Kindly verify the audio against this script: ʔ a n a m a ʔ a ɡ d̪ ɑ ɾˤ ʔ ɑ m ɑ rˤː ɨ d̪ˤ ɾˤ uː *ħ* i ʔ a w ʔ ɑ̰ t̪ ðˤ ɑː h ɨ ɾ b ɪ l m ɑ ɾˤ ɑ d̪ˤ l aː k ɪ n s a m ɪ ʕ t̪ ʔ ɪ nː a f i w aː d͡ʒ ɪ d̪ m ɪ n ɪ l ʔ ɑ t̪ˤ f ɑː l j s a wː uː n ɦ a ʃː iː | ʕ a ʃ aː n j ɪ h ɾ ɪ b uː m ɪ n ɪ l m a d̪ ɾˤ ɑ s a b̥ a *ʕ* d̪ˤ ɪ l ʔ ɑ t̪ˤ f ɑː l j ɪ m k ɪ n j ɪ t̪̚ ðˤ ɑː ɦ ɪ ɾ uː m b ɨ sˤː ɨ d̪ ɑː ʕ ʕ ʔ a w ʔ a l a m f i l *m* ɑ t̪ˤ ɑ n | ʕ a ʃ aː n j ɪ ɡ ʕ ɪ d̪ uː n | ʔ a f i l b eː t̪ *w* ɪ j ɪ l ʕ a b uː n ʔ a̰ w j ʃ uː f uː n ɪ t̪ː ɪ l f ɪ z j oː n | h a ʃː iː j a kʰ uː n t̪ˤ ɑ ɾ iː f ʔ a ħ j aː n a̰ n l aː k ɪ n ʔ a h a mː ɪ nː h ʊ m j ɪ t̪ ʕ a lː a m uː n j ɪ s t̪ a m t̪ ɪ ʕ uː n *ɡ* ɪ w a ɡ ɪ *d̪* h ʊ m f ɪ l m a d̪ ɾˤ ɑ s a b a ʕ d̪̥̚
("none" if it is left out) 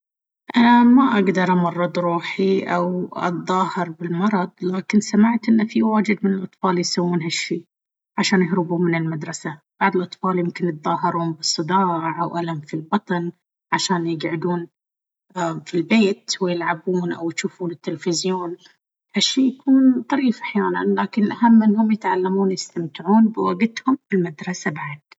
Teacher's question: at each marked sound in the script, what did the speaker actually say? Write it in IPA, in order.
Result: ħ, ʕ, b, w, b, t̪

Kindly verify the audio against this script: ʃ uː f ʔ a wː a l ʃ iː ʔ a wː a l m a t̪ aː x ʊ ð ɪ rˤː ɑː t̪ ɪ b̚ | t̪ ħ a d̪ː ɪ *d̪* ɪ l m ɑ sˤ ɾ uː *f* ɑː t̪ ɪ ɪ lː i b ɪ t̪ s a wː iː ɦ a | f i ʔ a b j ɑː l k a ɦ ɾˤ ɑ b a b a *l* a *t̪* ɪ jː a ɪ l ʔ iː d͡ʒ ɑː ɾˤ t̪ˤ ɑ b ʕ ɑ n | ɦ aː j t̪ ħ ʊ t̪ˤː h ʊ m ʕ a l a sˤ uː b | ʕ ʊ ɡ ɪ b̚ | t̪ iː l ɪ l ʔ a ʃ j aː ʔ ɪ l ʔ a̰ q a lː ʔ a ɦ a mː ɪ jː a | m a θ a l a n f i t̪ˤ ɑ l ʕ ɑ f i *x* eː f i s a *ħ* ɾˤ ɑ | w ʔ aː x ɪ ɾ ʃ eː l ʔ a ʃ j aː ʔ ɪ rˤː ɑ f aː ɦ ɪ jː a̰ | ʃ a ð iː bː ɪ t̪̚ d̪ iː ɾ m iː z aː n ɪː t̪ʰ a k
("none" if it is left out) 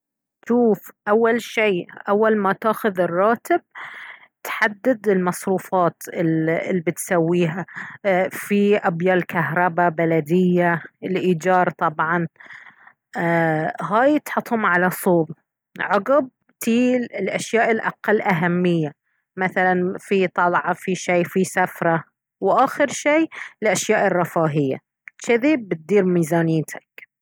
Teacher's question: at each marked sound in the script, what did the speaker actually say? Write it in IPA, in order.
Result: d̪, f, l, d̪, ʃ, f

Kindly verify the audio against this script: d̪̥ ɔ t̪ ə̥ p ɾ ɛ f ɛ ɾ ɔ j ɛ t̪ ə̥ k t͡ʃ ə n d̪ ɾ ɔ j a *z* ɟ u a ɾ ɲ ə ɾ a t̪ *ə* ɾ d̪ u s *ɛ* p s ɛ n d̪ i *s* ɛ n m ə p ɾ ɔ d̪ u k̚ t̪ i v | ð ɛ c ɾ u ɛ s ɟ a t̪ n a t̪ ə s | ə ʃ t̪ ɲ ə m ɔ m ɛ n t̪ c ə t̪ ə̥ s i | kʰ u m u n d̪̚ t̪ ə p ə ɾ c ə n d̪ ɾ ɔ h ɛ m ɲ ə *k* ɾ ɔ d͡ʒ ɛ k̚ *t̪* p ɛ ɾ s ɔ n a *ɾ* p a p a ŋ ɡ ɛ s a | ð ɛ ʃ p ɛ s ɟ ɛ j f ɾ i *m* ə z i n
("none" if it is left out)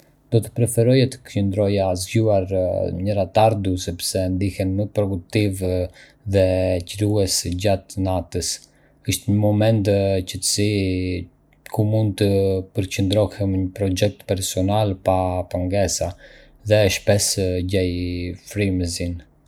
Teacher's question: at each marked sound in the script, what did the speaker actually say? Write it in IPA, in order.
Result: z, a, ɛ, h, p, t̪, l, m

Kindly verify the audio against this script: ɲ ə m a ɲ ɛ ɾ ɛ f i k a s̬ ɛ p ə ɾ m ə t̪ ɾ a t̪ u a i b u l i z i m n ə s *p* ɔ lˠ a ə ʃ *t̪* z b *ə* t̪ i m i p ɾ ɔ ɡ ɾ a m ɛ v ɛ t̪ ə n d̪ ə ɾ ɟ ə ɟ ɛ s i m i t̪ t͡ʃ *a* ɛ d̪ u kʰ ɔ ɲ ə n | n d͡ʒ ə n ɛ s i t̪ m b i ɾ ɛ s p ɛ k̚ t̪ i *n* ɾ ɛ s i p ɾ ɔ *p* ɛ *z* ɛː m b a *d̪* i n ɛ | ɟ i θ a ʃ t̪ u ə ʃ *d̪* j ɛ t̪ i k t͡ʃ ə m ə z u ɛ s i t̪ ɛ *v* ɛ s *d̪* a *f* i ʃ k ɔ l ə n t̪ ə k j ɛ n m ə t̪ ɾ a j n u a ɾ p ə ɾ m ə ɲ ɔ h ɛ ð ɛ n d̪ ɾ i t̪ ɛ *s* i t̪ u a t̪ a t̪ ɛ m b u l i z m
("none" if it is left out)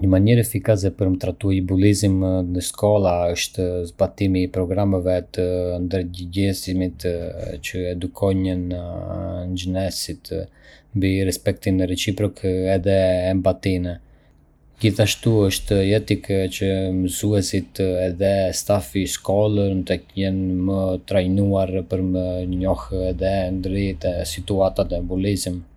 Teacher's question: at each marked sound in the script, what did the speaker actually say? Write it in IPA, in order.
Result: k, t̪, a, ə, n, k, ð, t̪, t̪, ð, t̪, f, s

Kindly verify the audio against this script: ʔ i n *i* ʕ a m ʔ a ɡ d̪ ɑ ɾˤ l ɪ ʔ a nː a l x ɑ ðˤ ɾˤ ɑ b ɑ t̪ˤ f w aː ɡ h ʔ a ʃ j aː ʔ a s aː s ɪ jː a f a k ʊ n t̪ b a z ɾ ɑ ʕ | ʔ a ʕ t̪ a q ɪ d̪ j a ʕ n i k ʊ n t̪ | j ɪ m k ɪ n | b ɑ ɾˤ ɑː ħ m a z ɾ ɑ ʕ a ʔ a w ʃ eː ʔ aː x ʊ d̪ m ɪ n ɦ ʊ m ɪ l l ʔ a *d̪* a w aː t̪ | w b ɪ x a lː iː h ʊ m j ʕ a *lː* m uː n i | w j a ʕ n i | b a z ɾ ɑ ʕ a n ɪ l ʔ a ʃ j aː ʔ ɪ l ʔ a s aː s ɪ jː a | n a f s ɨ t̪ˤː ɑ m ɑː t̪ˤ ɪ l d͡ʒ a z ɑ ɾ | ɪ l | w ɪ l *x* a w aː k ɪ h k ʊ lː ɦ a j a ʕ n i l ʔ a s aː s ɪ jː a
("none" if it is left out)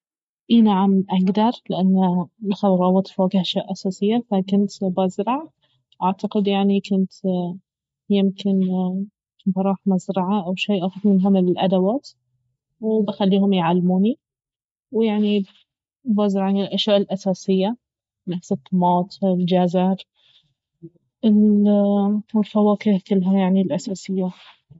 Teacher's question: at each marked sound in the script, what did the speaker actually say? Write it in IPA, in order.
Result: a, d̪, lː, f

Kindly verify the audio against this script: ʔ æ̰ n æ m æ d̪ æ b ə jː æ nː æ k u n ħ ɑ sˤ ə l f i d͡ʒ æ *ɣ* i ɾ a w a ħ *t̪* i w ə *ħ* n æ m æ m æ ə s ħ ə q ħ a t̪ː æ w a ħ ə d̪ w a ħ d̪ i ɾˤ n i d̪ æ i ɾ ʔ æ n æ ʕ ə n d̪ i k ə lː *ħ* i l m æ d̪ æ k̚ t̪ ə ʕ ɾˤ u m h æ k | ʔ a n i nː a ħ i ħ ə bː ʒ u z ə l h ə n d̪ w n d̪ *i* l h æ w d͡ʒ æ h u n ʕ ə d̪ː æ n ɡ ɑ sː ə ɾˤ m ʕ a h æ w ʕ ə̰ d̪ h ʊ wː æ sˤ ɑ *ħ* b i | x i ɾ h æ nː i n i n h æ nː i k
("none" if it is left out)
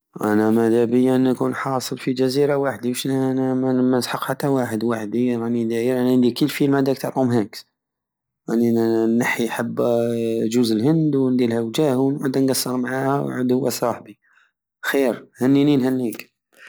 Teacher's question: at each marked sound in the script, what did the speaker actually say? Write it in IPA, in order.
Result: z, d̪, ʃ, f, i, ħ

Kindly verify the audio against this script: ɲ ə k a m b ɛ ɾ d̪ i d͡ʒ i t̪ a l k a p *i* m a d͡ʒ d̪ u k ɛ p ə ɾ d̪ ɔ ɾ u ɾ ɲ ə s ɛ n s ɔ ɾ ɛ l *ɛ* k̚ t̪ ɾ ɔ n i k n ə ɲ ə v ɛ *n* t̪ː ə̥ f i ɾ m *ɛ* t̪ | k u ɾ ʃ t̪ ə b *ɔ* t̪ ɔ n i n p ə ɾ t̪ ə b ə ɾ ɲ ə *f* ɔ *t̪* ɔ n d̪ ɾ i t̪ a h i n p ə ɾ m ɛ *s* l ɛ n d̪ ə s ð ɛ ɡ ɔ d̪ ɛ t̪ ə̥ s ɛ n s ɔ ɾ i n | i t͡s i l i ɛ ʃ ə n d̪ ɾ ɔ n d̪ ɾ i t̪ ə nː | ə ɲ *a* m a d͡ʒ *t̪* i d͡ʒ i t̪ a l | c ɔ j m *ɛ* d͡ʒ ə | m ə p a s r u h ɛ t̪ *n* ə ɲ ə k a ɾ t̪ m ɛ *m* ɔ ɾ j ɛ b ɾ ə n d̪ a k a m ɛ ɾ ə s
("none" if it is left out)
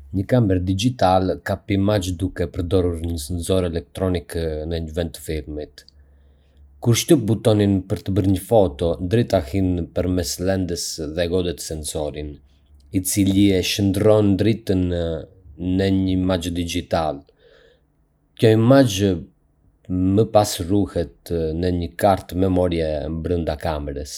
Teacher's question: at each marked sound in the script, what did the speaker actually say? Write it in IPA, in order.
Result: i, ɛ, n, i, u, f, t̪, s, ə, d̪, a, n, m

